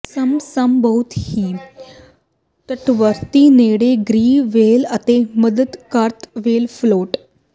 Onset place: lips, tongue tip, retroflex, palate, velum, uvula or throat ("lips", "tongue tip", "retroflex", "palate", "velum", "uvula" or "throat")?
tongue tip